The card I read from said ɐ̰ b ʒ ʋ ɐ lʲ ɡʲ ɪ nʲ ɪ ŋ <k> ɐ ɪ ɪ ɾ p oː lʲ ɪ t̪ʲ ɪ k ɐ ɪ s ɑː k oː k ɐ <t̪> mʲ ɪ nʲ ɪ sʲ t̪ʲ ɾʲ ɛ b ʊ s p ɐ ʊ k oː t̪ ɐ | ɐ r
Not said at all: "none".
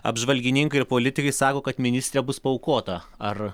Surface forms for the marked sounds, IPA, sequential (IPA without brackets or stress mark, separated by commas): k, t̪